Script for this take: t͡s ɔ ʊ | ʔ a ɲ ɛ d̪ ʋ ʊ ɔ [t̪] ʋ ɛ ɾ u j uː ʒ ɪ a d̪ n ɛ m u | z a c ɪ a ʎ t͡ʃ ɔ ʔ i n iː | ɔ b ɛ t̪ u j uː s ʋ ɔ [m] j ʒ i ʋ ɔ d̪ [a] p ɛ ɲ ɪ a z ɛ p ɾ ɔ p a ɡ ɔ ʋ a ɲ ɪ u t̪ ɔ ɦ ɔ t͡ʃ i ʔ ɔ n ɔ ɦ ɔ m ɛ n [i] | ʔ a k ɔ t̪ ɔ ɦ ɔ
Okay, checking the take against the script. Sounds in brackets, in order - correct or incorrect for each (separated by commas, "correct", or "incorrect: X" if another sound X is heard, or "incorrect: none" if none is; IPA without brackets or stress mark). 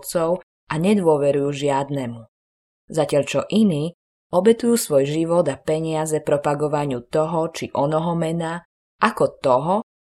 incorrect: none, incorrect: none, correct, incorrect: a